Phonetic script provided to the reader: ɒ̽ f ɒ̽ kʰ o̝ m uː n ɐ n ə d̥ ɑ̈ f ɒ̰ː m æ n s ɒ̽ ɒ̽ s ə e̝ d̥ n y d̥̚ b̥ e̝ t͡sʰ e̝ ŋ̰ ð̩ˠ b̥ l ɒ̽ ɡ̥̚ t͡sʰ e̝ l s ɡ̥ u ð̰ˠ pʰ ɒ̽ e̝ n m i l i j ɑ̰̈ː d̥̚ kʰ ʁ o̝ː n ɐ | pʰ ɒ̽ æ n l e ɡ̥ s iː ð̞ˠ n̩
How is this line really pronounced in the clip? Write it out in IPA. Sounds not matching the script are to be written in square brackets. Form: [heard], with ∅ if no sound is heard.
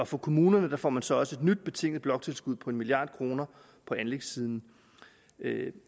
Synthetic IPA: ɒ̽ f ɒ̽ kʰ o̝ m uː n ɐ n ə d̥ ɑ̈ f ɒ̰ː m æ n s ɒ̽ ɒ̽ s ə e̝ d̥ n y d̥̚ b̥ e̝ t͡sʰ e̝ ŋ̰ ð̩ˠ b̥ l ɒ̽ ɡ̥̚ t͡sʰ e̝ l s ɡ̥ u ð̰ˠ pʰ ɒ̽ e̝ n m i l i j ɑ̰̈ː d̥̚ kʰ ʁ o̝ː n ɐ | pʰ ɒ̽ æ n l e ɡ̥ s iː ð̞ˠ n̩